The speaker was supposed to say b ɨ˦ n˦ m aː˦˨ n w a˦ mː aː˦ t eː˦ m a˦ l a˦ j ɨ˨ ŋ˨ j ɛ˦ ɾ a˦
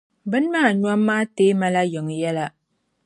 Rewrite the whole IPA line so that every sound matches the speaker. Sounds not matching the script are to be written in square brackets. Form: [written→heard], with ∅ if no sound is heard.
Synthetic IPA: b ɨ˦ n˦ m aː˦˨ [n→ɲ] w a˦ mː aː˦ t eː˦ m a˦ l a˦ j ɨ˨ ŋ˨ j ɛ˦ [ɾ→l] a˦